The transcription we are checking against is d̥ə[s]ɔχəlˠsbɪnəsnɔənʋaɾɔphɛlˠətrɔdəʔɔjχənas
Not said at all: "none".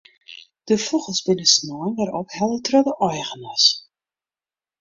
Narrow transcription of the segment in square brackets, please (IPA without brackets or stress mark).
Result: f